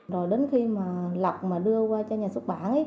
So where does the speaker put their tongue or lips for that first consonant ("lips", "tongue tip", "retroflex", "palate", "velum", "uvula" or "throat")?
tongue tip